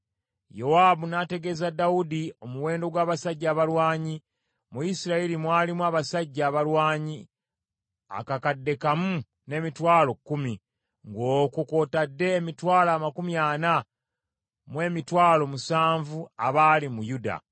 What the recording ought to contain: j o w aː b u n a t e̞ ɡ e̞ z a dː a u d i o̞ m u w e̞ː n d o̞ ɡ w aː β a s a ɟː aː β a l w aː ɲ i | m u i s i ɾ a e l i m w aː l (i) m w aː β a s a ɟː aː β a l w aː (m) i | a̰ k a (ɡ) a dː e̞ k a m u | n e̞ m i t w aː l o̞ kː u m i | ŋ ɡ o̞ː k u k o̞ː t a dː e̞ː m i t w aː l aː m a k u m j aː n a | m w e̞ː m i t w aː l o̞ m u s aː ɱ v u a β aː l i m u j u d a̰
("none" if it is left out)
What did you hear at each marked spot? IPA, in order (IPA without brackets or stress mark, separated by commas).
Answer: i, ɲ, k